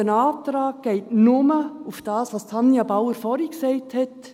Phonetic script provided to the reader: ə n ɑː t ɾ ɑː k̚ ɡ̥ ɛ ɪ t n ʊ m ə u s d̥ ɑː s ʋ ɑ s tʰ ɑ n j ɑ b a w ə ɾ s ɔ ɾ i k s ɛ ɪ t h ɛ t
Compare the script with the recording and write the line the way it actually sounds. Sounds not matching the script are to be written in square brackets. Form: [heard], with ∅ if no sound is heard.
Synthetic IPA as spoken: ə n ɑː t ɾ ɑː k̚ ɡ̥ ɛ ɪ t n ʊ m ə u [f] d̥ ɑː s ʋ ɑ s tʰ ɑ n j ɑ b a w ə ɾ [f] ɔ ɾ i k s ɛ ɪ t h ɛ t